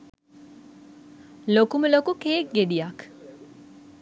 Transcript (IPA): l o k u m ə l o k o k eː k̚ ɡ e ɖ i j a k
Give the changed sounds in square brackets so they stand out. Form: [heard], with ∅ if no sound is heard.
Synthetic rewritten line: l o k u m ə l o k [u] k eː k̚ ɡ e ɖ i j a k

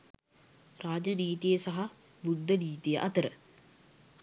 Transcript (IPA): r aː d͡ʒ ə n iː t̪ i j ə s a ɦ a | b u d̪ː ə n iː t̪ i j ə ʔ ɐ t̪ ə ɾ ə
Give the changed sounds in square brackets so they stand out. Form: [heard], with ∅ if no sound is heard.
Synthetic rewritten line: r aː d͡ʒ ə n iː t̪ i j ə s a ɦ a | b u d̪ː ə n iː t̪ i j ə ʔ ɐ t̪ ə ɾ ə

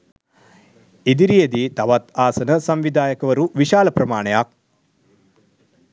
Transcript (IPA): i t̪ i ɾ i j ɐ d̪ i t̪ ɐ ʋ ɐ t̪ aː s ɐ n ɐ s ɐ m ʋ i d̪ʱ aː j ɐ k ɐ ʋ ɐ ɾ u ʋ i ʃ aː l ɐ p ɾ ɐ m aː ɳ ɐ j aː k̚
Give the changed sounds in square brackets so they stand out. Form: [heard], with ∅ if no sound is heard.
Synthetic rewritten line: i [d̪] i ɾ i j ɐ d̪ i t̪ ɐ ʋ ɐ t̪ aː s ɐ n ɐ s ɐ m ʋ i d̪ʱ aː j ɐ k ɐ ʋ ɐ ɾ u ʋ i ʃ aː l ɐ p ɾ ɐ m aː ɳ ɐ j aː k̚

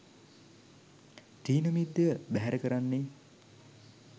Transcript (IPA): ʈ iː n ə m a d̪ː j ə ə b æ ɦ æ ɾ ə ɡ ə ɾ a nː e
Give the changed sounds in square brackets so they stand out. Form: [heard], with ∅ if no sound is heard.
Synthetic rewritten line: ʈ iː n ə m [i] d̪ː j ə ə b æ ɦ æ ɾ ə [k] ə ɾ a nː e

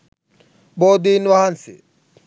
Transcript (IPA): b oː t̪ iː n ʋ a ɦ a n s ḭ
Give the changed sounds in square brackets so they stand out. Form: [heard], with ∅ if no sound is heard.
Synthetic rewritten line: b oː [d̪] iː n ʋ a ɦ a n s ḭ

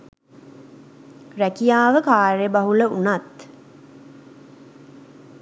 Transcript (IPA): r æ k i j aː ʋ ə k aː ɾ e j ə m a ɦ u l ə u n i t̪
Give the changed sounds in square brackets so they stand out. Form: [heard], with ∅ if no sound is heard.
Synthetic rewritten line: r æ k i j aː ʋ ə k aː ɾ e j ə [b] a ɦ u l ə u n [a] t̪

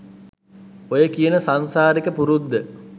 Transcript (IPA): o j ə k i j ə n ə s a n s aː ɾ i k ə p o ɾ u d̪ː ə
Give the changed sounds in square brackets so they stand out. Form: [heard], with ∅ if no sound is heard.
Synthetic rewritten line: o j ə k i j ə n ə s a n s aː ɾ i k ə p [u] ɾ u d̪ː ə

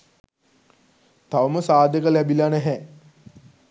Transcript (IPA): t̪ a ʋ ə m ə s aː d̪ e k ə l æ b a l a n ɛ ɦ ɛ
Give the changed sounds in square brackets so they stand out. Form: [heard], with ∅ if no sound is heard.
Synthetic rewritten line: t̪ a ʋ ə m ə s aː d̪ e k ə l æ b [i] l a n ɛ ɦ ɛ

